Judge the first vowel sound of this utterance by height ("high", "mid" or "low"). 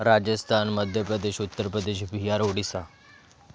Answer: low